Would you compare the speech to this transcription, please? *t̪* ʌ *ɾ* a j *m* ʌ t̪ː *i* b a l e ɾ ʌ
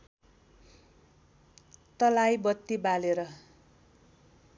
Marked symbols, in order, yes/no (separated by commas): yes, no, no, yes